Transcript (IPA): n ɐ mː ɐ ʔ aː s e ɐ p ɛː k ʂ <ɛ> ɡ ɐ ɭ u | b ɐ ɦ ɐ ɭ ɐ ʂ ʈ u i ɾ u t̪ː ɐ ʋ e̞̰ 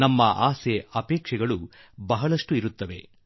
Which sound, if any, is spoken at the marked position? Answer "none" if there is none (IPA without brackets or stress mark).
ɛ